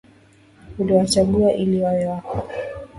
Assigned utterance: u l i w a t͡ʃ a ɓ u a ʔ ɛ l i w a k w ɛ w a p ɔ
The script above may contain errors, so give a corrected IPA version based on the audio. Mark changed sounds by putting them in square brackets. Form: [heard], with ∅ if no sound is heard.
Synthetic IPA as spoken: u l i w a t͡ʃ a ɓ u a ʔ [i] l i w a [∅] w ɛ w a [k] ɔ